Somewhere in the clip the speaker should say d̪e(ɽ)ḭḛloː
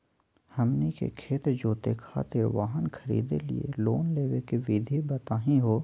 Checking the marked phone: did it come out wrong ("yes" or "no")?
yes